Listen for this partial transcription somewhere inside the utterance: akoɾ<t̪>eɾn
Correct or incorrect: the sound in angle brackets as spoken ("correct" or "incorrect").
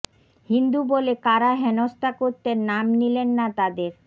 correct